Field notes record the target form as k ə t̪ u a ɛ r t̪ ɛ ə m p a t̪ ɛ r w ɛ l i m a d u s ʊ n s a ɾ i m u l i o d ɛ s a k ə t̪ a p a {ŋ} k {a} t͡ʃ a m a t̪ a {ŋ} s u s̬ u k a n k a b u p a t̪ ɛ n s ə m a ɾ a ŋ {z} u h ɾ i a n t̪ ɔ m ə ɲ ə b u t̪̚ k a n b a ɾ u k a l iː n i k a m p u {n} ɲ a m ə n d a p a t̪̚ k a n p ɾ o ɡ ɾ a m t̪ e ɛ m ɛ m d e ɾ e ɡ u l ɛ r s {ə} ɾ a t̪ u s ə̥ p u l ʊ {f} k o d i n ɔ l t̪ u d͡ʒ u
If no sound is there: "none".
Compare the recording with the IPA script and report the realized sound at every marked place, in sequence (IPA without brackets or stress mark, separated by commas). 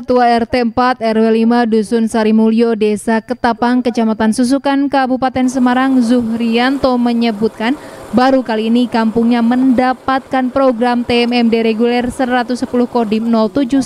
ŋ, ə, n, z, ŋ, ə, h